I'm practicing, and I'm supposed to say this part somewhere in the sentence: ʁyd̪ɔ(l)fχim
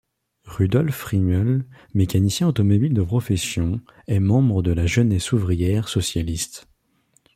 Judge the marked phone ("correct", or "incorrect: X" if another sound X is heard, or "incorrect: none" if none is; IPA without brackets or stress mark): correct